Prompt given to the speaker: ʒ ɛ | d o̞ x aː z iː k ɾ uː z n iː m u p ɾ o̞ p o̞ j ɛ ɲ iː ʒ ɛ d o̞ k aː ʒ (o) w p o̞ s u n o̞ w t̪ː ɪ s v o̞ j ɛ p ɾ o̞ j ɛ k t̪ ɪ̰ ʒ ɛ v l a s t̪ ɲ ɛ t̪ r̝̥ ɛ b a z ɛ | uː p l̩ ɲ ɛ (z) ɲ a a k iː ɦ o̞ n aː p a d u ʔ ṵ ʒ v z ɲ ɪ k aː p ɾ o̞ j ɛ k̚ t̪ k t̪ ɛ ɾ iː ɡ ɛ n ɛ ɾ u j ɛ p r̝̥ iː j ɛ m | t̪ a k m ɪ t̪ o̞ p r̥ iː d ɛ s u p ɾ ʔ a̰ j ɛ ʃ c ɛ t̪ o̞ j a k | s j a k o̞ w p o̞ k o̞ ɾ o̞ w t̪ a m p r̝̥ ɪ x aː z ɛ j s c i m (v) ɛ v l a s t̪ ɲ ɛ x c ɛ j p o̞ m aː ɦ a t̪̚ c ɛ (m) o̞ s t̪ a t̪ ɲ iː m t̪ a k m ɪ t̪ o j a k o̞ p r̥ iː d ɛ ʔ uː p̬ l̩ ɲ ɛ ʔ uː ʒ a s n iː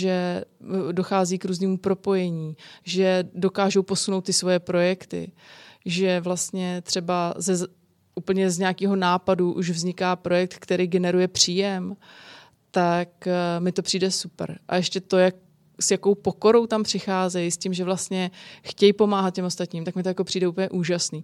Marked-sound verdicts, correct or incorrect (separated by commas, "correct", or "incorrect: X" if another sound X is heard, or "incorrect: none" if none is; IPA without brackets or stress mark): correct, correct, incorrect: ʒ, correct